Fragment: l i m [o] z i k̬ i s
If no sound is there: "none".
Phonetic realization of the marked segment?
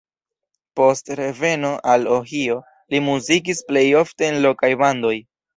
u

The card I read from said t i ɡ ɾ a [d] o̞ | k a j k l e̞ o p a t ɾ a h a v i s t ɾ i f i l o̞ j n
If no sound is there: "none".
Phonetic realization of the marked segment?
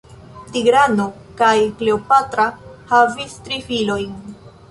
n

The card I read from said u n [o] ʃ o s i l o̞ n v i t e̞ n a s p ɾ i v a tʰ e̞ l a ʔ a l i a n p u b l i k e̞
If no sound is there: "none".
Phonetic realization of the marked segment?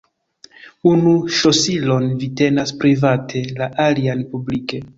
u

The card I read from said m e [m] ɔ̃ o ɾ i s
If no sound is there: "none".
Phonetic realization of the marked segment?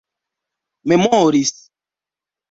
m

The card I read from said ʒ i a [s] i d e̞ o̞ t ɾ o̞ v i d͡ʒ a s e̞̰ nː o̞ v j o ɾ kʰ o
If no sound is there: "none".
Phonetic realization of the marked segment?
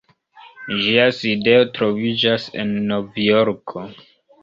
s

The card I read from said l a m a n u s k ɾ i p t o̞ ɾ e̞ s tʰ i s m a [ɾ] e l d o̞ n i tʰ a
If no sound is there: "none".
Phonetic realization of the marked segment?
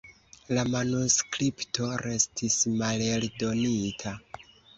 l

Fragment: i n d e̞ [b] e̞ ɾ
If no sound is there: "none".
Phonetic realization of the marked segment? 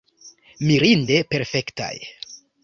p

